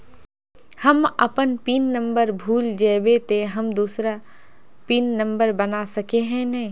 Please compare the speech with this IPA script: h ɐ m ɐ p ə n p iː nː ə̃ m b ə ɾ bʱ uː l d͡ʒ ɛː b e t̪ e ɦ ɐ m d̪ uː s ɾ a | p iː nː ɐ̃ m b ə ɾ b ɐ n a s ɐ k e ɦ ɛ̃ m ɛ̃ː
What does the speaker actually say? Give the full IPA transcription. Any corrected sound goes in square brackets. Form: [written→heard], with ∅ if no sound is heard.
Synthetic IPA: h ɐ m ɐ p ə n p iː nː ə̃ m b ə ɾ bʱ uː l d͡ʒ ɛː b e t̪ e ɦ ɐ m d̪ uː s ɾ a | p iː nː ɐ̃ m b ə ɾ b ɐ n a s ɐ k e ɦ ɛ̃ [m→n] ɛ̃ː